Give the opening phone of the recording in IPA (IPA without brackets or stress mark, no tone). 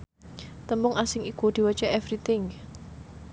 t̪